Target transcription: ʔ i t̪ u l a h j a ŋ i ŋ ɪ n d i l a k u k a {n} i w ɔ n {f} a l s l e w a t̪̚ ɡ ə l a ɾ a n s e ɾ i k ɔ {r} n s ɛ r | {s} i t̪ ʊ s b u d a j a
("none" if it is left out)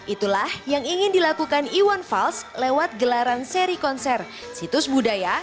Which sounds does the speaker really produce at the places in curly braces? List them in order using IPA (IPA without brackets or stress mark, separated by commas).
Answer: n, f, none, s